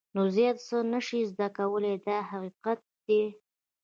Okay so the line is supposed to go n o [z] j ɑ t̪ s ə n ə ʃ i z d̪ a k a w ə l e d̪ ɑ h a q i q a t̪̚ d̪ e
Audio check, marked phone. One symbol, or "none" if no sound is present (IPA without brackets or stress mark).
z